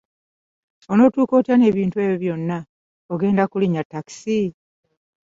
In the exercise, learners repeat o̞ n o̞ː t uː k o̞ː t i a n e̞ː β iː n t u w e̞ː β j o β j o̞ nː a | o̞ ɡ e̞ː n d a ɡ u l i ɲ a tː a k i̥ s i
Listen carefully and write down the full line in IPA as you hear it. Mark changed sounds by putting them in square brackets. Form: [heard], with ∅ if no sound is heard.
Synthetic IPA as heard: o̞ n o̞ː t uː k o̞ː t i a n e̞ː β iː n t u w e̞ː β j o β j o̞ nː a | o̞ ɡ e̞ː n d a [k] u l i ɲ a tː a k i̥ s i